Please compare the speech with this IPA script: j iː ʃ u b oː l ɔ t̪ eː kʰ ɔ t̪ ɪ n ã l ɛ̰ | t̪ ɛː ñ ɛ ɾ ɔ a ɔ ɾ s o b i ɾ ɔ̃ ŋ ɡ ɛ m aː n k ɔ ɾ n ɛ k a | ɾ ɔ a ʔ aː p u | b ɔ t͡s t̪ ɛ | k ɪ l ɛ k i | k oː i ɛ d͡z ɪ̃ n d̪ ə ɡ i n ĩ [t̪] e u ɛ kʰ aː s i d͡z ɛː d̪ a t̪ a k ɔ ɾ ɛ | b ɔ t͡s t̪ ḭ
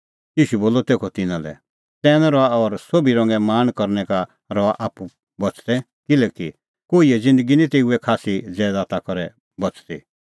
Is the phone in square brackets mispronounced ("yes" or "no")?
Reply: no